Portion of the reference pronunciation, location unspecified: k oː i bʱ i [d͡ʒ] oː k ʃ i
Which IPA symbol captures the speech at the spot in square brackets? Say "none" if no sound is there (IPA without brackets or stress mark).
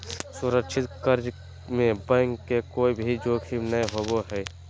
d͡ʒ